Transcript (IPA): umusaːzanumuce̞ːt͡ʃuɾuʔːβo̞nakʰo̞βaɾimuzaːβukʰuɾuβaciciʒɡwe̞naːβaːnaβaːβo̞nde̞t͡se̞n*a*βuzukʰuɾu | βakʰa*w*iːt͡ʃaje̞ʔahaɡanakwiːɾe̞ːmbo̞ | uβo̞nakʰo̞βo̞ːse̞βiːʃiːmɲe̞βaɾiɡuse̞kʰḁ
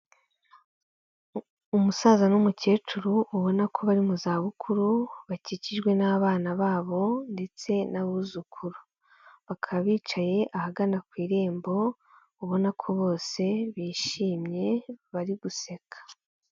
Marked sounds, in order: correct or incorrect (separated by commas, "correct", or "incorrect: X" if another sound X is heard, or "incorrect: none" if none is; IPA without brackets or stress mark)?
correct, incorrect: β